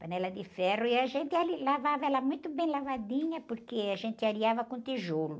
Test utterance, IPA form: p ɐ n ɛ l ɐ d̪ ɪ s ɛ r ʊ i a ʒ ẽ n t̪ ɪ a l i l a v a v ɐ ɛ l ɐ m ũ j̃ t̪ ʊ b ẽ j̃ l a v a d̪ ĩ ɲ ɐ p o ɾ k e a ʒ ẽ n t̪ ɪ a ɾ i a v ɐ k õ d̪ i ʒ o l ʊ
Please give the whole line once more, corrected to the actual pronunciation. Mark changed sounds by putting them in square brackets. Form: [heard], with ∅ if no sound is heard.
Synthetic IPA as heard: p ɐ n ɛ l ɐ d̪ ɪ [f] ɛ r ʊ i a ʒ ẽ n t̪ ɪ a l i l a v a v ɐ ɛ l ɐ m ũ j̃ t̪ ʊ b ẽ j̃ l a v a d̪ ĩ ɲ ɐ p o ɾ k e a ʒ ẽ n t̪ ɪ a ɾ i a v ɐ k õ [t̪] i ʒ o l ʊ